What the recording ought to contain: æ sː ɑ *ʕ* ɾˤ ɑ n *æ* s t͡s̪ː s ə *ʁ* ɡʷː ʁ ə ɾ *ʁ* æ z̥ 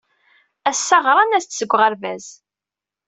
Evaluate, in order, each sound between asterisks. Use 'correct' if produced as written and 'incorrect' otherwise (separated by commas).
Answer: incorrect, correct, incorrect, incorrect